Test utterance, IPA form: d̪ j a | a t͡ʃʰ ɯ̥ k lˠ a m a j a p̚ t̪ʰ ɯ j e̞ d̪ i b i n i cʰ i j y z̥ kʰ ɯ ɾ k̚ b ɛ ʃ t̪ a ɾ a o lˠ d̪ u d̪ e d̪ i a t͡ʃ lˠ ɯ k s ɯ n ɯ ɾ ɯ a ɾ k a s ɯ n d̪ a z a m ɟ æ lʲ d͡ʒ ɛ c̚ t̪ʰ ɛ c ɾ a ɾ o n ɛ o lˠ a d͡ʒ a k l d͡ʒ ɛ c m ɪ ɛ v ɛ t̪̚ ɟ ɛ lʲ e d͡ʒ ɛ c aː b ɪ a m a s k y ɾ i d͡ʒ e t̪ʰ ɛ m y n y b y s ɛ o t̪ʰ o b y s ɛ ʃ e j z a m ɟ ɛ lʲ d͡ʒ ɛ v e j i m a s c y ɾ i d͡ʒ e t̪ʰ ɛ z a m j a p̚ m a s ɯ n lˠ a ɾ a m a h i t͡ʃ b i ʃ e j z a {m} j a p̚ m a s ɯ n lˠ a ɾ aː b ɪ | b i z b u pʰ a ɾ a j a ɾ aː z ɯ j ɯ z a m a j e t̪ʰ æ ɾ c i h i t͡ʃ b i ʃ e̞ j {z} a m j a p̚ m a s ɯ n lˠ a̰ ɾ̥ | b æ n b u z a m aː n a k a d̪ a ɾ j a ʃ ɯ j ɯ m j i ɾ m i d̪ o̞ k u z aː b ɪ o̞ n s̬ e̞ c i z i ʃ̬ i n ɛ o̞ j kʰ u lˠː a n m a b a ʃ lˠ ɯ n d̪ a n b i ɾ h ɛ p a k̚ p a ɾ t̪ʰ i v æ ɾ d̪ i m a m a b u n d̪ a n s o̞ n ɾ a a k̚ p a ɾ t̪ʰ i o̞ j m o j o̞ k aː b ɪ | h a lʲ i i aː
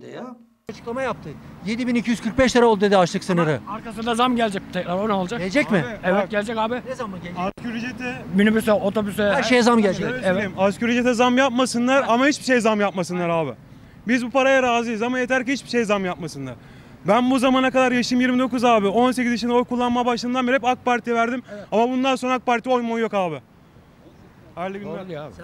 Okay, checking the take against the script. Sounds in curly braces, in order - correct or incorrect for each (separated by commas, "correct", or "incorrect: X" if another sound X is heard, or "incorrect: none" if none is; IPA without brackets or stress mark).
correct, correct